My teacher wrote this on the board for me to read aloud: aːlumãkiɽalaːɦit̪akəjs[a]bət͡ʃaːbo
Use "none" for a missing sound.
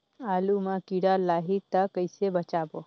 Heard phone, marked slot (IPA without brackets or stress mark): e